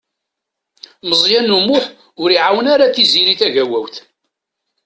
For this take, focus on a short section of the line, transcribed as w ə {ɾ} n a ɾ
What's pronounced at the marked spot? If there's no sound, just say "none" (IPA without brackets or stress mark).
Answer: none